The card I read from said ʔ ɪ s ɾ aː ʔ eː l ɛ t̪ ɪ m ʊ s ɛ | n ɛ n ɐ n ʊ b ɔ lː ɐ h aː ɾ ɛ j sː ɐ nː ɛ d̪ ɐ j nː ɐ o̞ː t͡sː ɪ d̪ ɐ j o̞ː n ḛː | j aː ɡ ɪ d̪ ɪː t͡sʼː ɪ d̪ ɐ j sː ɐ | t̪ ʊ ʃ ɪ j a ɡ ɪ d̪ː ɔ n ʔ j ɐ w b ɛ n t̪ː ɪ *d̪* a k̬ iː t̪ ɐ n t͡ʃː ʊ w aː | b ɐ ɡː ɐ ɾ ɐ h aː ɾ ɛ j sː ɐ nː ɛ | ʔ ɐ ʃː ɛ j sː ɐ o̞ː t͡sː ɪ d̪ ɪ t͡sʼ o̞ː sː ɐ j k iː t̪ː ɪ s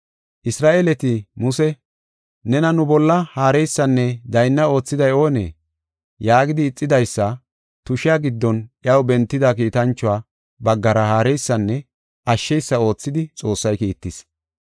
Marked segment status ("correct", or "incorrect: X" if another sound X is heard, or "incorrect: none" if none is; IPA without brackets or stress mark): correct